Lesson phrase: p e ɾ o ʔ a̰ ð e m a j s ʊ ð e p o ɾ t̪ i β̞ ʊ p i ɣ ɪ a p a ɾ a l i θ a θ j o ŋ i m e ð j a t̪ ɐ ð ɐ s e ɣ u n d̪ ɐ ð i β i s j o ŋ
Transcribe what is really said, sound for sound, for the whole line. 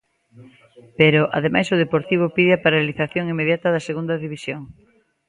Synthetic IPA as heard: p e ɾ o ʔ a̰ ð e m a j s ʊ ð e p o ɾ t̪ i β̞ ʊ p i ð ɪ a p a ɾ a l i θ a θ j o ŋ i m e ð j a t̪ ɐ ð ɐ s e ɣ u n d̪ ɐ ð i β i s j o ŋ